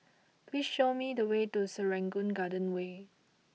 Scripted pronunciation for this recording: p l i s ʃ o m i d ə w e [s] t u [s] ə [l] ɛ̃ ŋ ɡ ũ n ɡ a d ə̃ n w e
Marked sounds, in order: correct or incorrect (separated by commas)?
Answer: incorrect, correct, incorrect